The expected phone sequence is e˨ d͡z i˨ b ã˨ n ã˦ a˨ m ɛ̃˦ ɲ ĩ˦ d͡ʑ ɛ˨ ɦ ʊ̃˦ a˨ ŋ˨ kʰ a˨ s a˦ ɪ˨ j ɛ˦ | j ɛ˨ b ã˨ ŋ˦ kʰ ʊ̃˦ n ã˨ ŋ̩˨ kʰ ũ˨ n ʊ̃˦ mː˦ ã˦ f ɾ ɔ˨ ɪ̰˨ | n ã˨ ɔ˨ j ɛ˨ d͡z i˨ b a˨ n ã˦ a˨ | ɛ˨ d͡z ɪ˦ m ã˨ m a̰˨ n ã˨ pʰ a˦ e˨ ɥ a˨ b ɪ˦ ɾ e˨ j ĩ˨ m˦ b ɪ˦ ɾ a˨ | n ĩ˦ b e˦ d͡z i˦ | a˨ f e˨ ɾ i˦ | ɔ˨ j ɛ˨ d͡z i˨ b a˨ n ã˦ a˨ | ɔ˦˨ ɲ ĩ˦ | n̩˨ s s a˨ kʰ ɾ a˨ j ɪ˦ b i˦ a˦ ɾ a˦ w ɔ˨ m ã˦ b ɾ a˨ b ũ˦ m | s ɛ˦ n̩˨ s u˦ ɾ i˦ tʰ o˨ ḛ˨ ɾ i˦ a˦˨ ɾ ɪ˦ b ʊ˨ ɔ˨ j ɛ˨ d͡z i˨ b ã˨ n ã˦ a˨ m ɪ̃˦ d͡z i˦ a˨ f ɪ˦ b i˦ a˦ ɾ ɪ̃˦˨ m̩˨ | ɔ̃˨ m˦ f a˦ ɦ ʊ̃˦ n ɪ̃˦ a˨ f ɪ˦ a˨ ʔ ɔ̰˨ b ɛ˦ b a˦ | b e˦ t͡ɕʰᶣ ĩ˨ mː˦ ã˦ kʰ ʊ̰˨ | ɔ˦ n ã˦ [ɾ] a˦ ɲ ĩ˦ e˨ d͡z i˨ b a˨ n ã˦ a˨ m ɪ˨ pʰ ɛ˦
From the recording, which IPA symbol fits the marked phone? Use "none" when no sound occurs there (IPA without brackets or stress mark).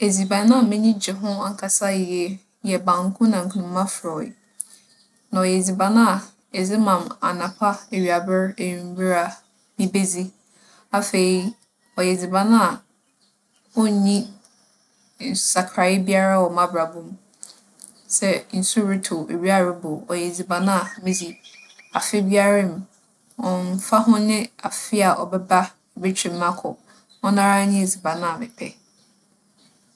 ɾ